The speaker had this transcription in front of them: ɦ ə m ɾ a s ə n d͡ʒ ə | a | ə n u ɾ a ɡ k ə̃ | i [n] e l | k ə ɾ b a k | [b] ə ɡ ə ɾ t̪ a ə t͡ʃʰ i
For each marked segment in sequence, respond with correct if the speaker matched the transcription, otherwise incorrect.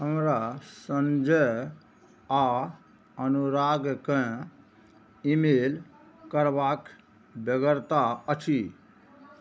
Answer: incorrect: m, correct

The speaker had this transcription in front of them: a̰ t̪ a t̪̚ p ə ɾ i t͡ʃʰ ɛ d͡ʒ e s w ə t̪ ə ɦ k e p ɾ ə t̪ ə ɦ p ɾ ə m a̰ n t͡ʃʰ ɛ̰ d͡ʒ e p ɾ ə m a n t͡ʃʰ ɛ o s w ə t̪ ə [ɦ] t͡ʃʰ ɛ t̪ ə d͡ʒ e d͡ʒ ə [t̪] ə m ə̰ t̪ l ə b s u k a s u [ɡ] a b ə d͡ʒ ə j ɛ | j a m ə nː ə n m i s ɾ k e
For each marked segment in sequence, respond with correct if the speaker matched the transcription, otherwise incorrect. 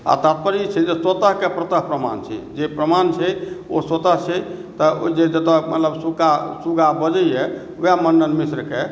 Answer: correct, correct, correct

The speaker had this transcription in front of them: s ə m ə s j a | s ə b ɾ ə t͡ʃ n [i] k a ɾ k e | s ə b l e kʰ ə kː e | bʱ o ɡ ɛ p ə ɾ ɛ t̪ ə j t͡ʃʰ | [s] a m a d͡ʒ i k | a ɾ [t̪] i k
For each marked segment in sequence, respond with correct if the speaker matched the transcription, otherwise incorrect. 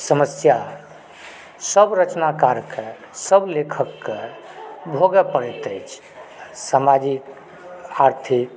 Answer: incorrect: a, correct, incorrect: t̪ʰ

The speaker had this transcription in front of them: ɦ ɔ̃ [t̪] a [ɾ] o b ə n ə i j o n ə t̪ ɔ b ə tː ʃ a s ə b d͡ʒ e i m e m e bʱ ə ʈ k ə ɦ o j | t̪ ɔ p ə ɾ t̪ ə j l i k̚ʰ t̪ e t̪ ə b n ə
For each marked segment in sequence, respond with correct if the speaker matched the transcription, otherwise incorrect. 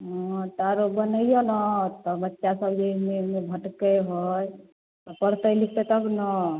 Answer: correct, correct

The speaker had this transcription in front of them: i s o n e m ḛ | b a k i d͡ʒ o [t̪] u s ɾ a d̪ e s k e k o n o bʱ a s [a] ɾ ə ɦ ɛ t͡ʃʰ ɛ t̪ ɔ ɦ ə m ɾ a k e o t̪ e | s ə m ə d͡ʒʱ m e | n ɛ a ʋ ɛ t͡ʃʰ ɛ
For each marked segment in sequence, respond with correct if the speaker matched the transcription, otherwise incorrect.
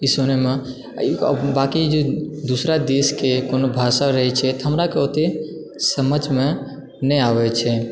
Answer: incorrect: d̪, correct

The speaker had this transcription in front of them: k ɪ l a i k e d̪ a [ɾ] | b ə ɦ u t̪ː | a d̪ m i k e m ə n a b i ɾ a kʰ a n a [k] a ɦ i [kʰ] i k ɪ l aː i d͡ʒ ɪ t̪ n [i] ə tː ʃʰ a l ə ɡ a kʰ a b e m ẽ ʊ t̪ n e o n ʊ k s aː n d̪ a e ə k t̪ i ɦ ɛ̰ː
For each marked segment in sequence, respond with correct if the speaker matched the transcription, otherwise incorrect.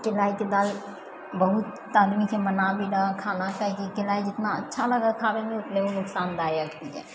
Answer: incorrect: l, correct, incorrect: k, incorrect: a

